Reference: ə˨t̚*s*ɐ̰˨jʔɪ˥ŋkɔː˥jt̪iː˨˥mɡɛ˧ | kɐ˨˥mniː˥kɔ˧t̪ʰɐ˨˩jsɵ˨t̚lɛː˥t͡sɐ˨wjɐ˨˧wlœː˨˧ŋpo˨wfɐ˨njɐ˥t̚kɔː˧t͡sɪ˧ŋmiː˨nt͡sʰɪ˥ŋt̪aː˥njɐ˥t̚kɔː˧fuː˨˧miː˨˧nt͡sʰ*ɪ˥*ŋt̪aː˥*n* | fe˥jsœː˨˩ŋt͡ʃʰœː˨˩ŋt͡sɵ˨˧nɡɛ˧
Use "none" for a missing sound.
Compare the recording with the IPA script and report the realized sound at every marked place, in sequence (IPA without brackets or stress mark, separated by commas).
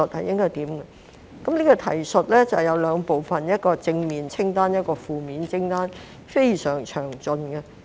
h, ɪ˥, n